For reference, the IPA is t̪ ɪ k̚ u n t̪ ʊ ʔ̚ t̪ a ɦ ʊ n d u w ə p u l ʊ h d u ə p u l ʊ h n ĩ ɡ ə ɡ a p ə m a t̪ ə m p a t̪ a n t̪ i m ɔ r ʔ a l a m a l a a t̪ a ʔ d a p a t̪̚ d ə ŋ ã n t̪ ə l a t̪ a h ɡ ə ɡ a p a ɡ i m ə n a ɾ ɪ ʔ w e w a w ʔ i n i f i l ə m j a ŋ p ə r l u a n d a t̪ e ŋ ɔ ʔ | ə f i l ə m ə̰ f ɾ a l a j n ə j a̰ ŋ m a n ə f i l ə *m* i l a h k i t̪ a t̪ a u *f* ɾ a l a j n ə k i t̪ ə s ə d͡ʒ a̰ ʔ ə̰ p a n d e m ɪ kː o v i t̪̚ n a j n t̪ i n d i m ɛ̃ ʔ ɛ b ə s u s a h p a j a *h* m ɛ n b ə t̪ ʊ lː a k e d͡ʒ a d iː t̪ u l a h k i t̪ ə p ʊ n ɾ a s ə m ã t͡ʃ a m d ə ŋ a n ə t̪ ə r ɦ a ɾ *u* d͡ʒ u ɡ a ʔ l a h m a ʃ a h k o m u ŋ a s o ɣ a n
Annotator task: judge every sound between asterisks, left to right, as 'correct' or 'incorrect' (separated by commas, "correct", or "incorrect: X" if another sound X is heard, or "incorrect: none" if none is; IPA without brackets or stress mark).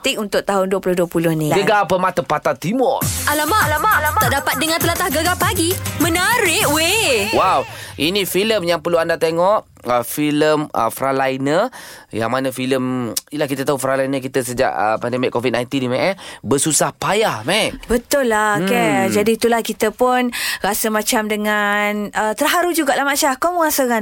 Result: correct, correct, correct, correct